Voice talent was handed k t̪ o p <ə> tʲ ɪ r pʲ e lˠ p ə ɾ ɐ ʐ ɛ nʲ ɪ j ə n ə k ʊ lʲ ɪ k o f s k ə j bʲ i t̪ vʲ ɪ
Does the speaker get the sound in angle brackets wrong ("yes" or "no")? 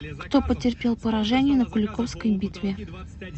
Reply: no